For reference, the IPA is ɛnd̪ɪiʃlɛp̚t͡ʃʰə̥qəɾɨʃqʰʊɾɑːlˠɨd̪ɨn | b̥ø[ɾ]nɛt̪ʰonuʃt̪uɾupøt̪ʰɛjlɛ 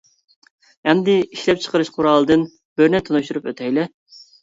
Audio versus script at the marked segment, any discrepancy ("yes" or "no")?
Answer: no